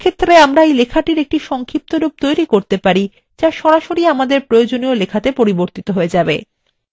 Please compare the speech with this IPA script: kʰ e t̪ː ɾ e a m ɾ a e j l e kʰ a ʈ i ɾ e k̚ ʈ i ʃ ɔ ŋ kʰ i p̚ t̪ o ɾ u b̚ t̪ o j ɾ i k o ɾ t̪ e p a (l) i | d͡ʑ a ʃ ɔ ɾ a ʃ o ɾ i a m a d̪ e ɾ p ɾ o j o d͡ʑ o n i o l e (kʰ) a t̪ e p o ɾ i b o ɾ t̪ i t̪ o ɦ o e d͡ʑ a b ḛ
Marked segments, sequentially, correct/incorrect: incorrect, correct

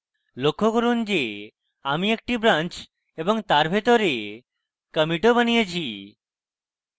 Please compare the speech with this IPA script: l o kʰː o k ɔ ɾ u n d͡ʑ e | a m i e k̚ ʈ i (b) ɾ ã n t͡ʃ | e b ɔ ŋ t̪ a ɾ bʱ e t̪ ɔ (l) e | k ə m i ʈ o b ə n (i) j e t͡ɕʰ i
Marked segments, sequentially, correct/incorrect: correct, incorrect, correct

